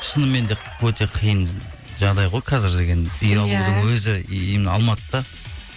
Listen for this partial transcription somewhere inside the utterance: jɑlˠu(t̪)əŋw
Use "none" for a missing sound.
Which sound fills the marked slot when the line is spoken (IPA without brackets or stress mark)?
d̪